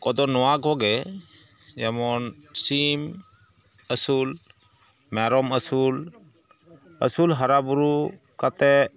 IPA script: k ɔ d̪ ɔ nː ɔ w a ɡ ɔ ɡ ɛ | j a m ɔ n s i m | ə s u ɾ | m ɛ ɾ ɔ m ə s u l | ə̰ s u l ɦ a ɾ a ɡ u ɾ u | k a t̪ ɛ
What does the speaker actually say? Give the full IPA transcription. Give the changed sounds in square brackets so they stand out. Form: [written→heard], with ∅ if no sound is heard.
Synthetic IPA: k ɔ d̪ ɔ [nː→n] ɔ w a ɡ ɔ ɡ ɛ | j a m ɔ n s i m | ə s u [ɾ→l] | m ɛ ɾ ɔ m ə s u l | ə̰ s u l ɦ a ɾ a [ɡ→b] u ɾ u | k a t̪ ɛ

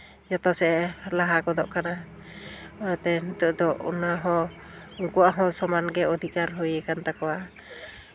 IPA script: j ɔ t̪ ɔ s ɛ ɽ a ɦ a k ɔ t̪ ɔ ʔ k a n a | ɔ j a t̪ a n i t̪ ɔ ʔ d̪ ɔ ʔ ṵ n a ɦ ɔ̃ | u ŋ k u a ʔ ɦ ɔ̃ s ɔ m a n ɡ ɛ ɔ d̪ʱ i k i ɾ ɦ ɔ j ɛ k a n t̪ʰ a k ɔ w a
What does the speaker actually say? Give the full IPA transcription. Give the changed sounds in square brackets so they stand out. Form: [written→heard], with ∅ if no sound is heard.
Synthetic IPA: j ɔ t̪ ɔ s ɛ [ɽ→l] a ɦ a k ɔ [t̪→d̪] ɔ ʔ k a n a | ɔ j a t̪ [a→ɛ] n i t̪ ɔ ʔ d̪ ɔ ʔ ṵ n a ɦ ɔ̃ | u ŋ k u a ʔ ɦ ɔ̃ s ɔ m a n ɡ ɛ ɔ d̪ʱ i k [i→a] ɾ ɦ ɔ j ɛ k a n [t̪ʰ→t̪] a k ɔ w a

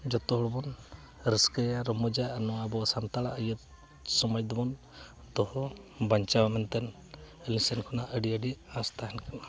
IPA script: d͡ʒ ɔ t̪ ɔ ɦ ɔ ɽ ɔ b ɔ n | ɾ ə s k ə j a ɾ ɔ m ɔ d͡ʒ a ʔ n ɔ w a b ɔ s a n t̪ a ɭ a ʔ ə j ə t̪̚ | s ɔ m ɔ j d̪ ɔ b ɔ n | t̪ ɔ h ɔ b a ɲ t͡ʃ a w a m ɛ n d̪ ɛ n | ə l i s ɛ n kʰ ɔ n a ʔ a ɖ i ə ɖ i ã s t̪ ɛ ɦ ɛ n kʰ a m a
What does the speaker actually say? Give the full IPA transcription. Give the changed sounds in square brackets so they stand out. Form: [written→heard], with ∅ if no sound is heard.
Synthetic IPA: d͡ʒ ɔ t̪ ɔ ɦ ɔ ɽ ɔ b ɔ n | ɾ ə s k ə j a ɾ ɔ m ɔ d͡ʒ a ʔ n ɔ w a b ɔ s a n t̪ a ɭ a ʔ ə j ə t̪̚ | s ɔ m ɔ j d̪ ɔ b ɔ n | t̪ ɔ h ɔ b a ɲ t͡ʃ a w a m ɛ n [d̪→t̪] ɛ n | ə l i s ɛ n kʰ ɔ n a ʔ [a→ə] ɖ i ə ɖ i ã s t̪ [ɛ→a] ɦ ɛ n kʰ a [m→n] a

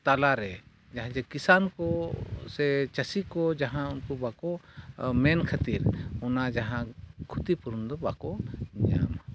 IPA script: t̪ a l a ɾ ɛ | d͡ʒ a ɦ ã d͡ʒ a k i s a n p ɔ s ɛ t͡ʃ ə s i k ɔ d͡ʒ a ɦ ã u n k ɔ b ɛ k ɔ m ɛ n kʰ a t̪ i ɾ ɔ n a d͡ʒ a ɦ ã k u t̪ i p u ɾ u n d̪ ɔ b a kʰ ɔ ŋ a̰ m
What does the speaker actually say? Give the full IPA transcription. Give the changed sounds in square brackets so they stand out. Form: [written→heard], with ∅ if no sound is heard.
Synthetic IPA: t̪ a l a ɾ ɛ | d͡ʒ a ɦ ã d͡ʒ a k i s a n [p→k] ɔ s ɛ t͡ʃ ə s i k ɔ d͡ʒ a ɦ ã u n k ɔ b [ɛ→a] k ɔ m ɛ n kʰ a t̪ i ɾ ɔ n a d͡ʒ a ɦ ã [k→kʰ] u t̪ i p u ɾ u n d̪ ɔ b a [kʰ→k] ɔ [ŋ→ɲ] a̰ m

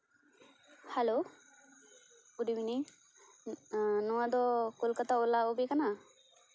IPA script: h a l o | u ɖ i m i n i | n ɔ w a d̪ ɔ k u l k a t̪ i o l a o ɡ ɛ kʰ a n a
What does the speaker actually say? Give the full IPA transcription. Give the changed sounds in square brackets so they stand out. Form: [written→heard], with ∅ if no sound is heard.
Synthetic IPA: h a l o | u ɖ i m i n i | n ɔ w a d̪ ɔ k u l k a t̪ [i→a] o l a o [ɡ→b] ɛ [kʰ→k] a n a

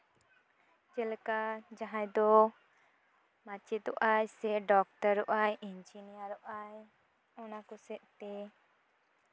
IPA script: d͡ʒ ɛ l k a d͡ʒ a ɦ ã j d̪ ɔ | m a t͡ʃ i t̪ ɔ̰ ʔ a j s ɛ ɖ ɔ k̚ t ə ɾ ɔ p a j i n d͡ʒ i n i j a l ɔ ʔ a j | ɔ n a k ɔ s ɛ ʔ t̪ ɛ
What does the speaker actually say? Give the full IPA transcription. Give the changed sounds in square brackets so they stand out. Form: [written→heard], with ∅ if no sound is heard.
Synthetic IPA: d͡ʒ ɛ l k a d͡ʒ a ɦ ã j d̪ ɔ | m a t͡ʃ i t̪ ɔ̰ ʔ a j s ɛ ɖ ɔ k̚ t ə ɾ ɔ [p→ʔ] a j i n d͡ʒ i n i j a [l→ɾ] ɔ ʔ a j | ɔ n a k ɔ s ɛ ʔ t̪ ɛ

